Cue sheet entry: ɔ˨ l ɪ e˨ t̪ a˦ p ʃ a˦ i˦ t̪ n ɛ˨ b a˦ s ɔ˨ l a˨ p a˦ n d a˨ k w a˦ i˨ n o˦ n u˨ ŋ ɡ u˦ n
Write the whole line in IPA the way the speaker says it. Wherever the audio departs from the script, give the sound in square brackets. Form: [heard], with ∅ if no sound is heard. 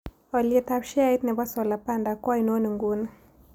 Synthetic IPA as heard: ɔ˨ l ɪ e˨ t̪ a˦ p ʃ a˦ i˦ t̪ n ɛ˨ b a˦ s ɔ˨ l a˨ p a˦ n d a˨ k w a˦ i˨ n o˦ n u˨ ŋ ɡ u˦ n